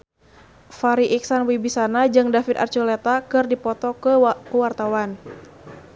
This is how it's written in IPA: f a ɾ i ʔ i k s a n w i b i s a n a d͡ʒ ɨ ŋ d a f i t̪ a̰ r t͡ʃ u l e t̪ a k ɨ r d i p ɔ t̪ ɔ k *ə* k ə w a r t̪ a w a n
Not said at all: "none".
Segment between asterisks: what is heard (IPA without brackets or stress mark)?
ə